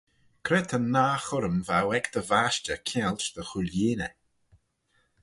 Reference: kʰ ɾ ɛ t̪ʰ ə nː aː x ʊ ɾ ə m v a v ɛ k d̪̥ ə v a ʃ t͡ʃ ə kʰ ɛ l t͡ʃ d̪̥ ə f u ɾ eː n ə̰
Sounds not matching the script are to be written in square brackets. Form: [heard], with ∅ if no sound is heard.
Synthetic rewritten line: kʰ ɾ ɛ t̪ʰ ə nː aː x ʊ ɾ ə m v a [w] ɛ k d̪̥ ə v a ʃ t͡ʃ ə kʰ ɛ l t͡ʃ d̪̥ ə [x] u [l] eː n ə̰